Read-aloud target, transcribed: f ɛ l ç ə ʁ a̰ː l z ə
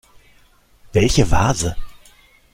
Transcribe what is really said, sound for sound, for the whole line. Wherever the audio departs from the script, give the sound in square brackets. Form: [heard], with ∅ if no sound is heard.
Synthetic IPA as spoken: [v] ɛ l ç ə [v] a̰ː [∅] z ə